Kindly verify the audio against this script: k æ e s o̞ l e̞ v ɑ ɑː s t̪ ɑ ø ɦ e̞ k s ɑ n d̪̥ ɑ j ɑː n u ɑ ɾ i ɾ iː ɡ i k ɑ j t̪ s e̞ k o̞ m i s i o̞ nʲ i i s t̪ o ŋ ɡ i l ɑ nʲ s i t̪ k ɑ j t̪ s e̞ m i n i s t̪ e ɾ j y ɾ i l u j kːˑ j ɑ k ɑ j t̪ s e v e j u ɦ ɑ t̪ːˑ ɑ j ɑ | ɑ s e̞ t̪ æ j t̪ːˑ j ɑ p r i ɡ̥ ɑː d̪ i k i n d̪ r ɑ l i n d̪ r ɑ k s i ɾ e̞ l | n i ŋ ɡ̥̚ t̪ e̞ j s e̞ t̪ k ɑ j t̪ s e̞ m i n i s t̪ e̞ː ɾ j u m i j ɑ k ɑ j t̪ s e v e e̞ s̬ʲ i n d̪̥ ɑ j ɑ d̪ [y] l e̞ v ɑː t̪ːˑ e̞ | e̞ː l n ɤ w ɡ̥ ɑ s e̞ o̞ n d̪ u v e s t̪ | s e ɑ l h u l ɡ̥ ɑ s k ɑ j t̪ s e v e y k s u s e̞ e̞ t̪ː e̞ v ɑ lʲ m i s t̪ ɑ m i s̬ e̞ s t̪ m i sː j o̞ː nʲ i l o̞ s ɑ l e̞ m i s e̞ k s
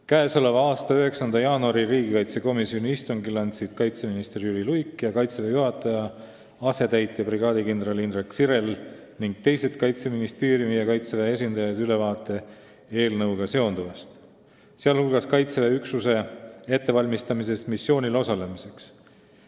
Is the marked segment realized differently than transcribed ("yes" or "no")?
no